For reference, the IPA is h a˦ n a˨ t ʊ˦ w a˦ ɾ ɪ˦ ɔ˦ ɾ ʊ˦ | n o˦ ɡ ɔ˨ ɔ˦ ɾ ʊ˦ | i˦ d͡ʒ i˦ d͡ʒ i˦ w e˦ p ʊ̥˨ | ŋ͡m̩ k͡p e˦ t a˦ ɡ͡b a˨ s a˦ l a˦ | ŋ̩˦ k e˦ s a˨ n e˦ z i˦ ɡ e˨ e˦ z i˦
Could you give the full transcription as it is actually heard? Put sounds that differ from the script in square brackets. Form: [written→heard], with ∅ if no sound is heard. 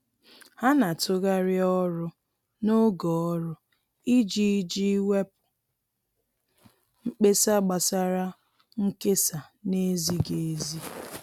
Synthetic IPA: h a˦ n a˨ t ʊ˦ [w→ɣ] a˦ ɾ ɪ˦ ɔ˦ ɾ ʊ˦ | n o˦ ɡ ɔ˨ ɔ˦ ɾ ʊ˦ | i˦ d͡ʒ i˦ d͡ʒ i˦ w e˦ p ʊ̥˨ | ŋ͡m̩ k͡p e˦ [t→s] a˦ ɡ͡b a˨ s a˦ [l→ɾ] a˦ | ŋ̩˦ k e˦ s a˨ n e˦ z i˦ ɡ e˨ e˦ z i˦